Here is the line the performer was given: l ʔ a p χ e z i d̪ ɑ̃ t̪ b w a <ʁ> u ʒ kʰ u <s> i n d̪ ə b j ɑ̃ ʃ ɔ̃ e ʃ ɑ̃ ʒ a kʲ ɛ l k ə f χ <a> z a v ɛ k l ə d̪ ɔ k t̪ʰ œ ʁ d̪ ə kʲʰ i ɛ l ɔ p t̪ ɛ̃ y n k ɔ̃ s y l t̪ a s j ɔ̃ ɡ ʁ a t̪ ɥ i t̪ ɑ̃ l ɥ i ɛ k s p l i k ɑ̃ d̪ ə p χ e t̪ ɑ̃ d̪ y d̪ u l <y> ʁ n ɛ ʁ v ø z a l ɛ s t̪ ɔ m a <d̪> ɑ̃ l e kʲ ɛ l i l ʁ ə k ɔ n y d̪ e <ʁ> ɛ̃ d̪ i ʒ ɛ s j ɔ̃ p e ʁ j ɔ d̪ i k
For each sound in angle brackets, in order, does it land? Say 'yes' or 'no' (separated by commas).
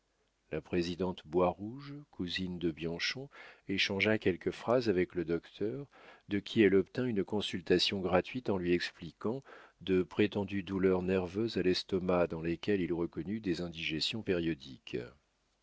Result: yes, no, yes, no, yes, no